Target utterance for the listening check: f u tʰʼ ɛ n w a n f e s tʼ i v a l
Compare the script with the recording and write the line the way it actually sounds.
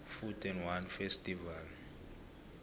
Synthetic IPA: f u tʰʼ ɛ n w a n f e s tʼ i v a l